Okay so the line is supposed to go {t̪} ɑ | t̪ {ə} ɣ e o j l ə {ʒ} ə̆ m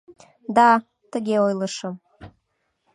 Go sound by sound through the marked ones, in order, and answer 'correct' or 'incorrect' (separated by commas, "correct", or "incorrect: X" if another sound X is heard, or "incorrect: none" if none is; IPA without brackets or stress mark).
incorrect: d̪, correct, incorrect: ʃ